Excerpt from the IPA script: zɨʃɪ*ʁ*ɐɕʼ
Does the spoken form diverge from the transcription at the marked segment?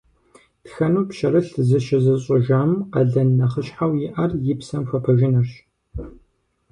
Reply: yes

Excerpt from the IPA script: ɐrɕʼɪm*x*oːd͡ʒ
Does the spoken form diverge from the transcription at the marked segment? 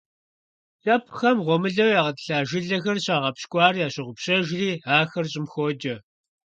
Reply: no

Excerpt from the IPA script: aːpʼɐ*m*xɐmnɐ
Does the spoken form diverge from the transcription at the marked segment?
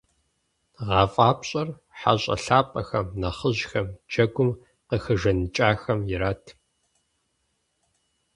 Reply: yes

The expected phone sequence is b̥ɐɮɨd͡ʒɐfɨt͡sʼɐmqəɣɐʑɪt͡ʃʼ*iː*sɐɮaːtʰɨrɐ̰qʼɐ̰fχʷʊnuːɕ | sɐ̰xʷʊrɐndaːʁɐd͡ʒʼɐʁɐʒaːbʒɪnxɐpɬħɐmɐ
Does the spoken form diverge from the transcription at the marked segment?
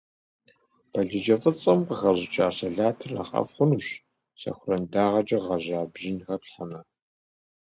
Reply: yes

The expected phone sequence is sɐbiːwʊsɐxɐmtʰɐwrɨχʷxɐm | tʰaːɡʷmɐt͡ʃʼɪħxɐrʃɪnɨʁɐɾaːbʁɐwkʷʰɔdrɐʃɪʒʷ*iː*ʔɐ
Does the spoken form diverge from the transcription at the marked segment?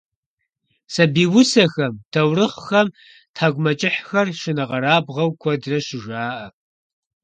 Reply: yes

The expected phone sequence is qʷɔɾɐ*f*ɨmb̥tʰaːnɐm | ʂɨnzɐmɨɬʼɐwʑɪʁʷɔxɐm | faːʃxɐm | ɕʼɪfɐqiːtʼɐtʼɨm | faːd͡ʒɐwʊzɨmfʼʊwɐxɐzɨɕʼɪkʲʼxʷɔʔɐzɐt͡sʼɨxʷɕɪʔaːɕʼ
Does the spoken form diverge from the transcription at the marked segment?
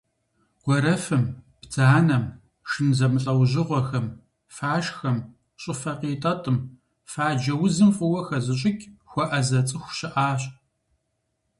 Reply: no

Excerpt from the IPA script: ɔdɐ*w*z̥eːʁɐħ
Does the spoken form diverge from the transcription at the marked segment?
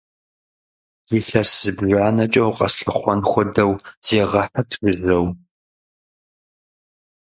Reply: no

